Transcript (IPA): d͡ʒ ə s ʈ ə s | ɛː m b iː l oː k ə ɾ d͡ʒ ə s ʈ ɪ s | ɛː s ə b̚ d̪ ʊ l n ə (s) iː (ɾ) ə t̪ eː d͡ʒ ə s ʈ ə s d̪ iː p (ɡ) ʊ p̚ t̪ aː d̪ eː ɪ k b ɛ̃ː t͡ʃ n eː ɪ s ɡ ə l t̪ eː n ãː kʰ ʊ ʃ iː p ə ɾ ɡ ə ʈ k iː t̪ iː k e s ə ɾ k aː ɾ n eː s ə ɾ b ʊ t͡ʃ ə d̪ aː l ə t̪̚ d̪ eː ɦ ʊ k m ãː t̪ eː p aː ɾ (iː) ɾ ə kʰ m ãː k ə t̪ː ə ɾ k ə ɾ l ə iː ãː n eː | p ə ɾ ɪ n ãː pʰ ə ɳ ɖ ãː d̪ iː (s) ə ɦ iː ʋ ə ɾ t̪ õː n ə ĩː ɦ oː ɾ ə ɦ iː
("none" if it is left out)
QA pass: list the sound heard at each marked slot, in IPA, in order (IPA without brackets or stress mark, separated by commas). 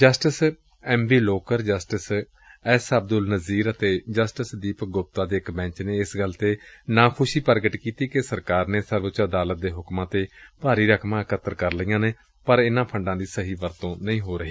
z, ɾ, ɡ, iː, s